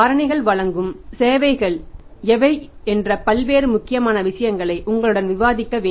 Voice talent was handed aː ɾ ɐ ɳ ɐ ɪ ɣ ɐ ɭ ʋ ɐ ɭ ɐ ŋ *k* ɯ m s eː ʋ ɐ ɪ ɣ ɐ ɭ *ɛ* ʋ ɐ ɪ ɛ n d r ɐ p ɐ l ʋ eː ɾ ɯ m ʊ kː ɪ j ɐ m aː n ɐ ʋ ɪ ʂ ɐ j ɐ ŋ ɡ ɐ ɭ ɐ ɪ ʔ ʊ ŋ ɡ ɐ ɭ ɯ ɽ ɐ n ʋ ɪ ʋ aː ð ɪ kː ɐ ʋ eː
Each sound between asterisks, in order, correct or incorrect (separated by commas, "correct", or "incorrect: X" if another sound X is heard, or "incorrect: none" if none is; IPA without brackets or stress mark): incorrect: ɡ, correct